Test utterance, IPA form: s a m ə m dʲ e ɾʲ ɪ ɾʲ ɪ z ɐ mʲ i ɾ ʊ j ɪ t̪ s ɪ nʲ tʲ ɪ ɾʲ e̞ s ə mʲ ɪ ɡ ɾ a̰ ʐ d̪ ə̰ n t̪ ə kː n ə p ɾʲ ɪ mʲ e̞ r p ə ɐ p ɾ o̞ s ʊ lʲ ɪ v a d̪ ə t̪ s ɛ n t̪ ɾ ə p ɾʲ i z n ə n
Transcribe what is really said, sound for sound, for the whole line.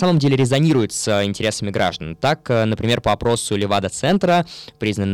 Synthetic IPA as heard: s a m ə m dʲ e lʲ ɪ ɾʲ ɪ z ɐ nʲ i ɾ ʊ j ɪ t̪ s ɪ nʲ tʲ ɪ ɾʲ e̞ s ə mʲ ɪ ɡ ɾ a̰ ʐ d̪ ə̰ n t̪ a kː n ə p ɾʲ ɪ mʲ e̞ r p ə ɐ p ɾ o̞ s ʊ lʲ ɪ v a d̪ ə t̪ s ɛ n t̪ ɾ ə p ɾʲ i z n ə n